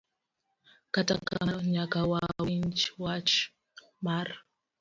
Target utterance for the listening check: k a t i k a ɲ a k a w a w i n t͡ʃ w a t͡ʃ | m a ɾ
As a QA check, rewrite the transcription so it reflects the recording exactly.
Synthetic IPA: k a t a k a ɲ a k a w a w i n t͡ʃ w a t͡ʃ | m a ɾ

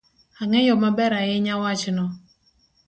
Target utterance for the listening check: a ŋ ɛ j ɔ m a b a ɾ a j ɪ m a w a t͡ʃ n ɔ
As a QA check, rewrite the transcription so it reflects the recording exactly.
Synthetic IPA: a ŋ ɛ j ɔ m a b ɛ ɾ a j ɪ ɲ a w a t͡ʃ n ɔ

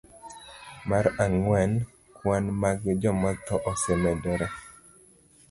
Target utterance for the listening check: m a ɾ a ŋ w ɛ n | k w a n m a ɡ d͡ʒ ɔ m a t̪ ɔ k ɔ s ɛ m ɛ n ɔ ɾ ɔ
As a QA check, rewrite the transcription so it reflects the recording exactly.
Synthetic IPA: m a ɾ a ŋ w ɛ n | k w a n m a ɡ d͡ʒ ɔ m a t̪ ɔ ʔ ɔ s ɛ m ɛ d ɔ ɾ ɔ

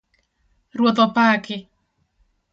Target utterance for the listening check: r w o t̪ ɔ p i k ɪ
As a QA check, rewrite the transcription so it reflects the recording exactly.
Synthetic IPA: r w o t̪ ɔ p a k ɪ

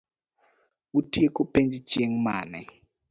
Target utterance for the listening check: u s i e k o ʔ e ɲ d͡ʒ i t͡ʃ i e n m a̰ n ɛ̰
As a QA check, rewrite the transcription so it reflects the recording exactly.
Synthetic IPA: u t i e k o p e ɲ d͡ʒ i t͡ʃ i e ŋ m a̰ n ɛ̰

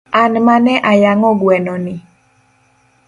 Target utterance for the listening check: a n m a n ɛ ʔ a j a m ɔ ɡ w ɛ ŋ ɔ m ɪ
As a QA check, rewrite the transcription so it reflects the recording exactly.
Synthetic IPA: a n m a n ɛ ʔ a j a ŋ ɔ ɡ w ɛ n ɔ n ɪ

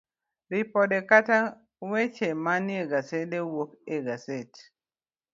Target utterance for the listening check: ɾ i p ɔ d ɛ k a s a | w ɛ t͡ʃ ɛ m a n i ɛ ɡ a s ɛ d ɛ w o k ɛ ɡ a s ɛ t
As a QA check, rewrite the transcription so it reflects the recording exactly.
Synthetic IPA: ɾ i p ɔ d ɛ k a t a | w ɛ t͡ʃ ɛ m a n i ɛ ɡ a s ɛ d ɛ w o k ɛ ɡ a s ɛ t

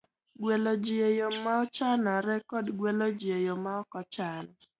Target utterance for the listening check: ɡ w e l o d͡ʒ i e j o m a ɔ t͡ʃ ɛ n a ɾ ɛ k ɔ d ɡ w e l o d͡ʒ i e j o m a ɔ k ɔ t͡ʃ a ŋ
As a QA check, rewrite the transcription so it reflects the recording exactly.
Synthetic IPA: ɡ w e l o d͡ʒ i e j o m a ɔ t͡ʃ a n a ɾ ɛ k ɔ d ɡ w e l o d͡ʒ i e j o m a ɔ k ɔ t͡ʃ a n

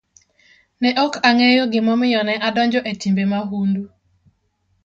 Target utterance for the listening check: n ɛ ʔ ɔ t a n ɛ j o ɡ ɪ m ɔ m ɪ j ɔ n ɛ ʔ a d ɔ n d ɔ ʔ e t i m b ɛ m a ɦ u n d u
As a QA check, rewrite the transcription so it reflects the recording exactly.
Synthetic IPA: n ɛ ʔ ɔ k a ŋ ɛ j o ɡ ɪ m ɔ m ɪ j ɔ n ɛ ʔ a d ɔ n d͡ʒ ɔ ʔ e t i m b e m a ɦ u n d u

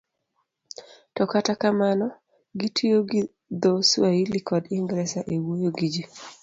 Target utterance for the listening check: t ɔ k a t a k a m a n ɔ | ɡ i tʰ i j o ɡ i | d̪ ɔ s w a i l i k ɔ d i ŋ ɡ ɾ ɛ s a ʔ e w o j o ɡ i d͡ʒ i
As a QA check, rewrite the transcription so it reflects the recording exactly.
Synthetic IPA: t ɔ k a t a k a m a n ɔ | ɡ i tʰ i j o ɡ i | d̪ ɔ s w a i l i k ɔ d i ŋ ɡ ɾ ɛ s a ʔ e w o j o ɡ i d͡ʒ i

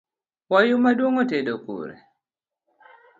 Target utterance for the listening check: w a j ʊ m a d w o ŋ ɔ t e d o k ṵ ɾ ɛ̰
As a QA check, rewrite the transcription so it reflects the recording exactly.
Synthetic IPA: w a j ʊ m a d w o ŋ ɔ t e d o k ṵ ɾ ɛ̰

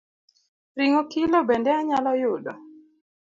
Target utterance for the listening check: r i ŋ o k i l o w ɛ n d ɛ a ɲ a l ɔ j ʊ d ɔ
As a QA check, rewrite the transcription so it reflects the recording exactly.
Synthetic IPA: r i ŋ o k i l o b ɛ n d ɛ a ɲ a l ɔ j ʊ d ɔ

